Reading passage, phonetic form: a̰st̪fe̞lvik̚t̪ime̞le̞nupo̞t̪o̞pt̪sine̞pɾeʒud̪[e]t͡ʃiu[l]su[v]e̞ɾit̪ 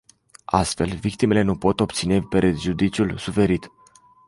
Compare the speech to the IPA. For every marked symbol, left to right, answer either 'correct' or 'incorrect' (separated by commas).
incorrect, correct, incorrect